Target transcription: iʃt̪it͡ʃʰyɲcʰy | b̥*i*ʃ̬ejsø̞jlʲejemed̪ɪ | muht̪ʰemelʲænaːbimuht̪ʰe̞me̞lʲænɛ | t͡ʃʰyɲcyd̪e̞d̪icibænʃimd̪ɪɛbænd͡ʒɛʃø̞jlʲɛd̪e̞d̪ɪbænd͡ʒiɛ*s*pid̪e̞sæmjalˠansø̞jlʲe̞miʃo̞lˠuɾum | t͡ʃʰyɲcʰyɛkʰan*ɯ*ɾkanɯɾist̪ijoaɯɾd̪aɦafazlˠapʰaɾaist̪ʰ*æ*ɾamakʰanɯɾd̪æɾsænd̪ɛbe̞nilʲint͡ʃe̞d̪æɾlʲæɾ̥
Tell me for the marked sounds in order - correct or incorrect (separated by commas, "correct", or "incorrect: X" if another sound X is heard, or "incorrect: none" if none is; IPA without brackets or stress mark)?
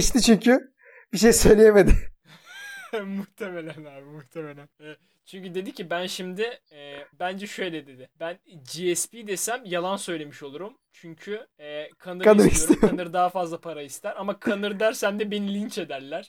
correct, correct, correct, correct